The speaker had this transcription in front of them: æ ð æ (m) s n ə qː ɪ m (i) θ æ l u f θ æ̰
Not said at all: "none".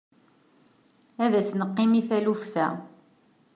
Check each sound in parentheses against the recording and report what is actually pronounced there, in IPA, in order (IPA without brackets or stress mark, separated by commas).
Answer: none, i